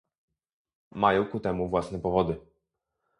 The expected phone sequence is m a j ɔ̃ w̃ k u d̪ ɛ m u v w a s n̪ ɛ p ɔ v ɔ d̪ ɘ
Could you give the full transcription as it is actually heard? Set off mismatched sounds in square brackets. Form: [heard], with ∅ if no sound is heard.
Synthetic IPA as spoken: m a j ɔ̃ w̃ k u [t̪] ɛ m u v w a s n̪ ɛ p ɔ v ɔ d̪ ɘ